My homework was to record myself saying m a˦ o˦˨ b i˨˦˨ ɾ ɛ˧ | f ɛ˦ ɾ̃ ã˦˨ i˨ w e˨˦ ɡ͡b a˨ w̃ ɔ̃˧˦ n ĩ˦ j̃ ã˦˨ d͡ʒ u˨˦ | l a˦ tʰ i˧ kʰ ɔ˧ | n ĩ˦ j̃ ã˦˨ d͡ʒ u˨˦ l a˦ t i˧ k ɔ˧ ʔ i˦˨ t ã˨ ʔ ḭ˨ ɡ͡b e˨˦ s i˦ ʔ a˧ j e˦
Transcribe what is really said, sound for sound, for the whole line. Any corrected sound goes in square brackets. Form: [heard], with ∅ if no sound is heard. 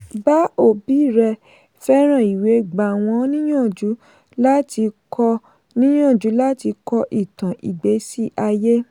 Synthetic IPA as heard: [b] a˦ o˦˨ b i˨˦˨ ɾ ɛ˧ | f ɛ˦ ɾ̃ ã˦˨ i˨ w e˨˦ ɡ͡b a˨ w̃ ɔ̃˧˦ n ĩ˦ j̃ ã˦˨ d͡ʒ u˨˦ | l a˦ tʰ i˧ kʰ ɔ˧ | n ĩ˦ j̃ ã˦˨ d͡ʒ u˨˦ l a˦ t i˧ k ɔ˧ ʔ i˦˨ t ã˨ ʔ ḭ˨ ɡ͡b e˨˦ s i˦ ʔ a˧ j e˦